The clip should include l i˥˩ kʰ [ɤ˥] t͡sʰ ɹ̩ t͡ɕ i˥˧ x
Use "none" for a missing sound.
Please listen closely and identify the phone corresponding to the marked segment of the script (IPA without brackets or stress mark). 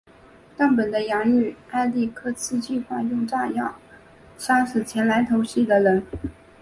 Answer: ɤ˥